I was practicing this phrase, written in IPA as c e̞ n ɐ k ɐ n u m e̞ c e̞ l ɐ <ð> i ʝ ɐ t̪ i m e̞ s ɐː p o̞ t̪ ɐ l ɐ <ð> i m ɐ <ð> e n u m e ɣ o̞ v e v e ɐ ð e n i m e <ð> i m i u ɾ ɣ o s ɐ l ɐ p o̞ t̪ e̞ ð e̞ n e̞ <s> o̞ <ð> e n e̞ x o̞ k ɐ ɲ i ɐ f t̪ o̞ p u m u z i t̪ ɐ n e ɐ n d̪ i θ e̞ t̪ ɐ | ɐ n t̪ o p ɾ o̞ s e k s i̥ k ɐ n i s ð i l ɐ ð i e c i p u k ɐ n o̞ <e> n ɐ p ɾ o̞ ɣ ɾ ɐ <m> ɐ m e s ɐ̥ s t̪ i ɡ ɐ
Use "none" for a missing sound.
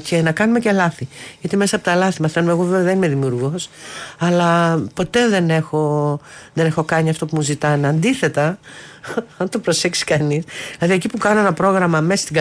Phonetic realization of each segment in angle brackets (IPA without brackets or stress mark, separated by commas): θ, θ, θ, ð, x, ð, e, m